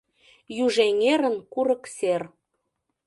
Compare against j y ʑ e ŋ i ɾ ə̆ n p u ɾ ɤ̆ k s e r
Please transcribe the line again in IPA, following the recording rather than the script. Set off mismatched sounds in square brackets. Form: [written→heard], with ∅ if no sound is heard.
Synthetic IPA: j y [ʑ→ʒ] e ŋ [i→e] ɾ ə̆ n [p→k] u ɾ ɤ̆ k s e r